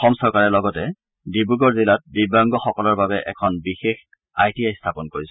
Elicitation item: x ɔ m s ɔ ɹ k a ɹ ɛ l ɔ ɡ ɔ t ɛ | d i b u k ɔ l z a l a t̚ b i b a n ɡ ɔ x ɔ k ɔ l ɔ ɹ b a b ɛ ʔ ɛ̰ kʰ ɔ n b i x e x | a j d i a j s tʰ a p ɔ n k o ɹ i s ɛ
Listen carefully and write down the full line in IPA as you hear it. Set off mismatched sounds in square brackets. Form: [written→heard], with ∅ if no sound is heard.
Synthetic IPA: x ɔ m s ɔ ɹ k a ɹ ɛ l ɔ ɡ ɔ t ɛ | d i b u [k→ɡ] ɔ [l→ɹ] z [a→i] l a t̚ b i b a [n→ŋ] ɡ ɔ x ɔ k ɔ l ɔ ɹ b a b ɛ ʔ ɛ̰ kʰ ɔ n b i x e x | a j [d→t] i a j s tʰ a p ɔ n k o ɹ i s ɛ